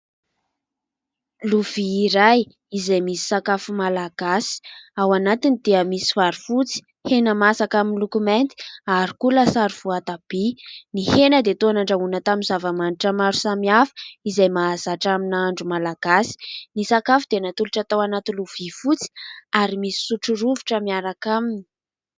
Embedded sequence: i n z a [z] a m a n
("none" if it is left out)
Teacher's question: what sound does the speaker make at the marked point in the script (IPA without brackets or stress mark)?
v